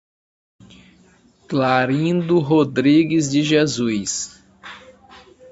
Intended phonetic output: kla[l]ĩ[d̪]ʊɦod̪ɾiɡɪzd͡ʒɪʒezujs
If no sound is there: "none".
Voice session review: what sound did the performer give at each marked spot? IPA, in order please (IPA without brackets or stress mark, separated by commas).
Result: ɾ, d̪